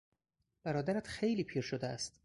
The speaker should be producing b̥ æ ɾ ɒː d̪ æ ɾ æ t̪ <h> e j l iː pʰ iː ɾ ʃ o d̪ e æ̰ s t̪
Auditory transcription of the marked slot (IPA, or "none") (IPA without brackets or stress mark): x